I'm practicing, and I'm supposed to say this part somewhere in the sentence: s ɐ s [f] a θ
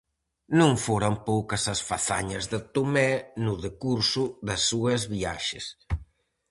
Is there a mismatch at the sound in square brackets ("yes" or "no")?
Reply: no